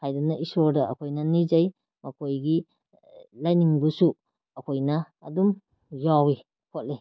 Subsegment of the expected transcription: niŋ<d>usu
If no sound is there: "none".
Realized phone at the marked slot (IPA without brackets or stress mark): b